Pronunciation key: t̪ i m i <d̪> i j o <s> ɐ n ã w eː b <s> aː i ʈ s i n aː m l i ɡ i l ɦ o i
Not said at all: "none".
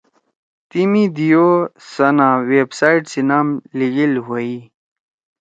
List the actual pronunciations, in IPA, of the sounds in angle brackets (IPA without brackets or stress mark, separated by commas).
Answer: d̪, s, s